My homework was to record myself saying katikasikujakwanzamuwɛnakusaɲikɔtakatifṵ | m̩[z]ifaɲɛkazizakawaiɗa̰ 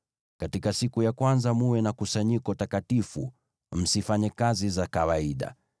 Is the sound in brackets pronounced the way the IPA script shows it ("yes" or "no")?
no